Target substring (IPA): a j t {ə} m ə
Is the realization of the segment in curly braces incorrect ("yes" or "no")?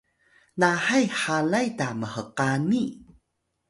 yes